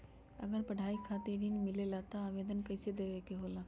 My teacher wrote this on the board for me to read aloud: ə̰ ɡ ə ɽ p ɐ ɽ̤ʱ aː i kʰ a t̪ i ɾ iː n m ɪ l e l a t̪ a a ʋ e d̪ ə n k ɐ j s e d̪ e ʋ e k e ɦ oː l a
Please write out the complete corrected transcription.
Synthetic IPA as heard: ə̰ ɡ ə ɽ p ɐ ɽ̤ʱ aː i kʰ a t̪ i ɾ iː n m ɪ l e l a t̪ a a ʋ e d̪ ə n k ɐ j s e d̪ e ʋ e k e ɦ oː l a